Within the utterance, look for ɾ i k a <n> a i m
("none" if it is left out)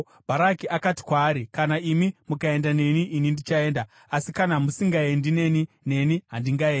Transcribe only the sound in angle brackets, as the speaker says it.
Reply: n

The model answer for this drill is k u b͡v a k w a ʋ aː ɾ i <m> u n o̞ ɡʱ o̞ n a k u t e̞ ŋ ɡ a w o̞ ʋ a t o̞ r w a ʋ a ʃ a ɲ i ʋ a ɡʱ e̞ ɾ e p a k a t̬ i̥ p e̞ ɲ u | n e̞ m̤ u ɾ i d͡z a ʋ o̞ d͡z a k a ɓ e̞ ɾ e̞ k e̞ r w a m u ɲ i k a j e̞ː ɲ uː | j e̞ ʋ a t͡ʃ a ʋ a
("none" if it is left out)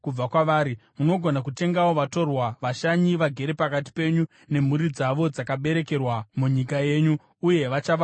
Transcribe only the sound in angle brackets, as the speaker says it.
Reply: m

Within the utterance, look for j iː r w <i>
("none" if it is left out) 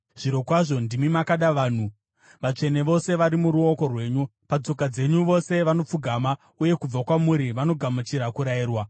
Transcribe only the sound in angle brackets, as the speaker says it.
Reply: a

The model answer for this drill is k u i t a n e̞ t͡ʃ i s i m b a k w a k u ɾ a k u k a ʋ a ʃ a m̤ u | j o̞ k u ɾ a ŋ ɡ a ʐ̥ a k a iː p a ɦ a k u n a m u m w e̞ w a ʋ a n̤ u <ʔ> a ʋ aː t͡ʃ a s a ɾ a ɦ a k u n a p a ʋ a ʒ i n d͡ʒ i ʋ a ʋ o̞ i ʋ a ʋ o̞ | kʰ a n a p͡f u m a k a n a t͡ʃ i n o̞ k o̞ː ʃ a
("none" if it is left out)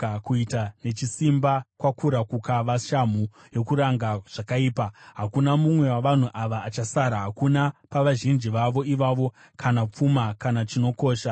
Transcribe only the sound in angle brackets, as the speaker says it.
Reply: ʔ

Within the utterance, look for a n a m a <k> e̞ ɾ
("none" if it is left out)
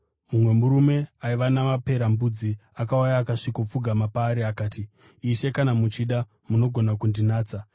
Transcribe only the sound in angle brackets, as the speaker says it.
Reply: p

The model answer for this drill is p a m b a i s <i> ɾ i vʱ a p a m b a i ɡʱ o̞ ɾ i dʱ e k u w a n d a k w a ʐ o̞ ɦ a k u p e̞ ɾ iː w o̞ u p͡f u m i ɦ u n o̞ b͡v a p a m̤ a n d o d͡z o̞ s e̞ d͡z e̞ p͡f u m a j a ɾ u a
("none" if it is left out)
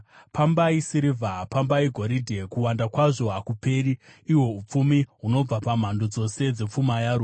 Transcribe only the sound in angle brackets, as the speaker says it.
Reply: i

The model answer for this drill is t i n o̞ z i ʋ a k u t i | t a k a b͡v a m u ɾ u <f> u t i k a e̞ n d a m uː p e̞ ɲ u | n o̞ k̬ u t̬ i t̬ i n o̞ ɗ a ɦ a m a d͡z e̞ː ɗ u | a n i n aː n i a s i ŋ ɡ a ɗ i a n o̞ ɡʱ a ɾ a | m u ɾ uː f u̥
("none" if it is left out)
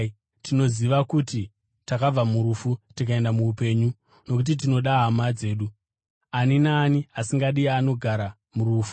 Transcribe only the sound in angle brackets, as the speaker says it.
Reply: f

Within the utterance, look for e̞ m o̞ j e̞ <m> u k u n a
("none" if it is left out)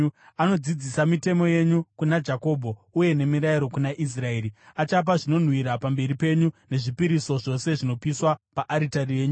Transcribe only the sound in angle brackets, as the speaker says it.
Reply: ɲ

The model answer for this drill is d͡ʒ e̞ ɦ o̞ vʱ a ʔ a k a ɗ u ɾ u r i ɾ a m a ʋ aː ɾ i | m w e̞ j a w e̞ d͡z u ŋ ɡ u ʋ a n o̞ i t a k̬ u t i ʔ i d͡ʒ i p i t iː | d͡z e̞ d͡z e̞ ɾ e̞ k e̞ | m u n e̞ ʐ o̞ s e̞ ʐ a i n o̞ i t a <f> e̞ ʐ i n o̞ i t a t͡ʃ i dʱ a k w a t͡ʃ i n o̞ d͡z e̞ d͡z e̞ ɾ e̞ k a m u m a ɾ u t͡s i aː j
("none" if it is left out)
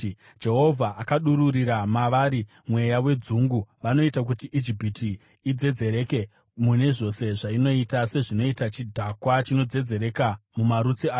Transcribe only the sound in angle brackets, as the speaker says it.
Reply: s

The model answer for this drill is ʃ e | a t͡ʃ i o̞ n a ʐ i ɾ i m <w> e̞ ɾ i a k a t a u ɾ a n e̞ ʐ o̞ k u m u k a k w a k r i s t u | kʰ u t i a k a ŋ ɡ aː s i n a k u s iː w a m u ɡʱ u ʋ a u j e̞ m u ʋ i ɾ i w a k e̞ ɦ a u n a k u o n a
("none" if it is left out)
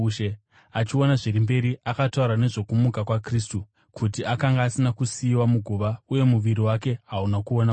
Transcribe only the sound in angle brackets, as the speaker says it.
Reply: b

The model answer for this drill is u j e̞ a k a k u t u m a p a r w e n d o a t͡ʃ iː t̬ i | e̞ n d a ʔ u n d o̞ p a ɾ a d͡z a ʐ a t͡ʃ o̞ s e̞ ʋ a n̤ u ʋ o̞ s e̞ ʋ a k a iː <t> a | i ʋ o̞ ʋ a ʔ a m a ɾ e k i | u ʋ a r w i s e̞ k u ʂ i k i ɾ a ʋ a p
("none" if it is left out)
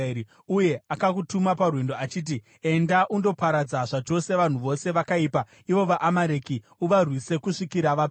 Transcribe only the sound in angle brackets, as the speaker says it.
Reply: p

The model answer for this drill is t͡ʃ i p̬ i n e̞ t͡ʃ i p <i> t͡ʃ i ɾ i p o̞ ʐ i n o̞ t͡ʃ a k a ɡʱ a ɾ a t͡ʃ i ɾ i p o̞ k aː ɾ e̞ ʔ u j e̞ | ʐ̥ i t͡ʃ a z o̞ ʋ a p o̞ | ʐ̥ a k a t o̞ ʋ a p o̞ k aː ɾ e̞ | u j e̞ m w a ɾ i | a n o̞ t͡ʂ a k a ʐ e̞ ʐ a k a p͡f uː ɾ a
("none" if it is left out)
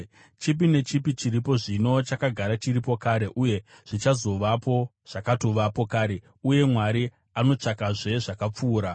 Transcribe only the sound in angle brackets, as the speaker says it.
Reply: i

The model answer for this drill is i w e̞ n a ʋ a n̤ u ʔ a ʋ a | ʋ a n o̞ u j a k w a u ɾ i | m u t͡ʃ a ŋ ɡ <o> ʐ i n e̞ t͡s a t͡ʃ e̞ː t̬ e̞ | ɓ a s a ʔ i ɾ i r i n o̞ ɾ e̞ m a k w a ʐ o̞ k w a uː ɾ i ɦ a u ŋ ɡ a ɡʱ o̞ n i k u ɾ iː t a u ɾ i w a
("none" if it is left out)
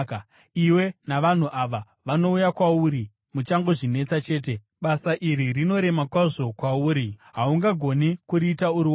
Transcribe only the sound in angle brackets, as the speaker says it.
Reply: o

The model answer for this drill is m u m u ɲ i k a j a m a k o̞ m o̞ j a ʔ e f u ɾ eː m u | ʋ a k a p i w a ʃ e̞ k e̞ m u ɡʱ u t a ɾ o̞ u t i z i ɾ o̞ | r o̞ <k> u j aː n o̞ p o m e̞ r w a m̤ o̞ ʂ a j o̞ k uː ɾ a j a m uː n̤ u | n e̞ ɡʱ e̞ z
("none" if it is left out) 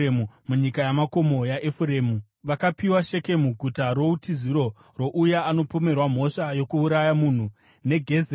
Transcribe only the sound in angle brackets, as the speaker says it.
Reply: ʔ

